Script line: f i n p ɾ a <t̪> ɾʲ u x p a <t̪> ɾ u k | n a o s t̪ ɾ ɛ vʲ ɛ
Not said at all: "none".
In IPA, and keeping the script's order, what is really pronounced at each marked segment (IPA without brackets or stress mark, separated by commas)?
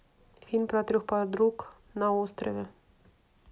t̪, d̪